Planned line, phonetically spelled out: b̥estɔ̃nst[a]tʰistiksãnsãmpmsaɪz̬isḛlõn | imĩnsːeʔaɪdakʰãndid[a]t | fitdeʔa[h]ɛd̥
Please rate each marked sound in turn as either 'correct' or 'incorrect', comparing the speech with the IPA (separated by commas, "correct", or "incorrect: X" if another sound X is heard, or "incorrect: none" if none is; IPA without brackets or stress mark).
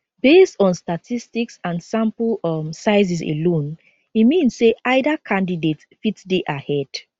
correct, incorrect: e, correct